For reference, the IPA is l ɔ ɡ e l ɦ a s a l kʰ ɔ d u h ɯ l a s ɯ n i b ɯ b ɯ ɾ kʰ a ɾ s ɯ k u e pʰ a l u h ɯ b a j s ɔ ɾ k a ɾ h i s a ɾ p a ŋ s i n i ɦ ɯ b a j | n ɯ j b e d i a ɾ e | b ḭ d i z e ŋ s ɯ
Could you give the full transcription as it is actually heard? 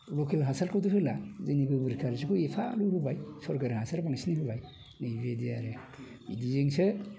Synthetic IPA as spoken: l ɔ k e l ɦ a s a l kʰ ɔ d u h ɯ l a z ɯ n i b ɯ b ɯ ɾ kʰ a ɾ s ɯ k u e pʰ a l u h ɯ b a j s ɔ ɾ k a ɾ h a s a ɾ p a ŋ s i n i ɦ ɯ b a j | n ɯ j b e d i a ɾ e | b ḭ d i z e ŋ s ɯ

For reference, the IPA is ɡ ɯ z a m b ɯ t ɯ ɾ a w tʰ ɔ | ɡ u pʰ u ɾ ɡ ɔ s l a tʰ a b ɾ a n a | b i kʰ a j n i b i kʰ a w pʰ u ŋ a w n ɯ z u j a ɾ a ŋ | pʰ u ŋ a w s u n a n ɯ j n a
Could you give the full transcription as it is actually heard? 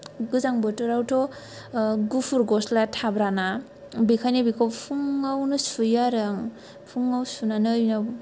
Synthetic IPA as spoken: ɡ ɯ z a ŋ b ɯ t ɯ ɾ a w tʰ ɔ | ɡ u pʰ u ɾ ɡ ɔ s l a tʰ a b ɾ a n a | b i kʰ a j n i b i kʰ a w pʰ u ŋ a w n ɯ s u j a ɾ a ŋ | pʰ u ŋ a w s u n a n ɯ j n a

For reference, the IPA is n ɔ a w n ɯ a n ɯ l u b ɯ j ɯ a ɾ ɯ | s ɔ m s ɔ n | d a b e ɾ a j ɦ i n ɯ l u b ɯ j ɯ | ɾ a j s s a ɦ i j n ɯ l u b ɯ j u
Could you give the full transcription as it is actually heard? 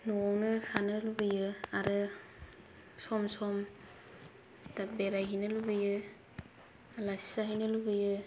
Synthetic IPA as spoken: n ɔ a w n ɯ a n ɯ l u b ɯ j ɯ a ɾ ɯ | s ɔ m s ɔ m | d a b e ɾ a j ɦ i n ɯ l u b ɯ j ɯ | l a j s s a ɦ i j n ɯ l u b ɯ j ɯ

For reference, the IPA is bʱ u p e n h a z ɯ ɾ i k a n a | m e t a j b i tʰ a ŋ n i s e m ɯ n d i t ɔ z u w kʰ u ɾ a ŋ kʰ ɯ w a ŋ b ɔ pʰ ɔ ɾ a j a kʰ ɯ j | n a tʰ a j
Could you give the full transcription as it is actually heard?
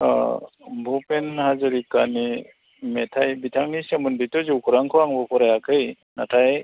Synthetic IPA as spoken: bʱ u p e n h a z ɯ ɾ i k a n i | m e tʰ a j b i tʰ a ŋ n i s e m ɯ n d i t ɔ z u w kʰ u ɾ a ŋ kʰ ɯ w a ŋ b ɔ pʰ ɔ ɾ a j a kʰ ɯ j | n a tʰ a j

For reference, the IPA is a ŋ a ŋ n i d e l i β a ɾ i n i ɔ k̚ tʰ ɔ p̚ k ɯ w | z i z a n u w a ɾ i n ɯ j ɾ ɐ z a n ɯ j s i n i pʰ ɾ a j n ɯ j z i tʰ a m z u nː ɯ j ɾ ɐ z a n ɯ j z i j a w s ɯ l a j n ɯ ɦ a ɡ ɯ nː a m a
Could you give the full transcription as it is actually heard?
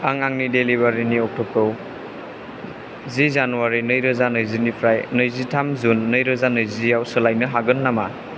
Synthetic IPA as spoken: a ŋ a ŋ n i d e l i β a ɾ i n i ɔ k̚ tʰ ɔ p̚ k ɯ w | z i z a n u w a ɾ i n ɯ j ɾ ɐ z a n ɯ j z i n i pʰ ɾ a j n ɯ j z i tʰ a m z u nː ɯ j ɾ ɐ z a n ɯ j z i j a w s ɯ l a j n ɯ ɦ a ɡ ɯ nː a m a

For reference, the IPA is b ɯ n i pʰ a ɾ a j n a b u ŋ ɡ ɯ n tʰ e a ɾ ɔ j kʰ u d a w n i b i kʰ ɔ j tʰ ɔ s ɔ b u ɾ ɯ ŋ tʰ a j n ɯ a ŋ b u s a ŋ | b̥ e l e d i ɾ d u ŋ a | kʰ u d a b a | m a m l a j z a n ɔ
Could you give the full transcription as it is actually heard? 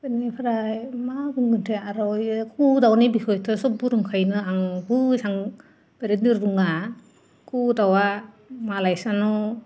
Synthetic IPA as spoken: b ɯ n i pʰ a ɾ a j m a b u ŋ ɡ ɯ n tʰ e a ɾ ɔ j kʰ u d a w n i b i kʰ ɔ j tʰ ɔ s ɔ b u ɾ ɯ ŋ kʰ a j n ɯ a ŋ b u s a ŋ | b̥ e ɾ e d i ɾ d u ŋ a | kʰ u d a w a | m a l a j s a n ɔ

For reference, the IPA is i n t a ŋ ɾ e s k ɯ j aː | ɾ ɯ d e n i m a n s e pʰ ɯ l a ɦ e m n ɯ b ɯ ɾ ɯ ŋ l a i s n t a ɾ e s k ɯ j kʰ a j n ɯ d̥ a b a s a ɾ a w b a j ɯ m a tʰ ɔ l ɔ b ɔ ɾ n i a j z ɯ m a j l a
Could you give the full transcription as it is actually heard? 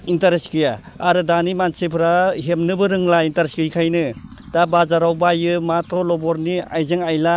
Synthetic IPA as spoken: i n t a ɾ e s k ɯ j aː | ɾ ɯ d a n i m a n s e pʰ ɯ ɾ a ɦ e m n ɯ b ɯ ɾ ɯ ŋ l a i n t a ɾ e s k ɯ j kʰ a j n ɯ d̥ a b a z a ɾ a w b a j ɯ m a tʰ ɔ l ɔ b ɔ ɾ n i a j z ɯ ŋ a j l a

